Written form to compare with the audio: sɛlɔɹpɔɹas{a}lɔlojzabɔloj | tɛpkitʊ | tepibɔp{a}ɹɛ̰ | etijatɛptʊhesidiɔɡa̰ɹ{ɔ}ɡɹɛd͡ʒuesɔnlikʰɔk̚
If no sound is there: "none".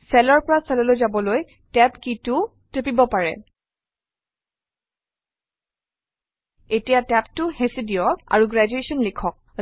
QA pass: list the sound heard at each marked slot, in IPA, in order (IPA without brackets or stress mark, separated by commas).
ɛ, a, u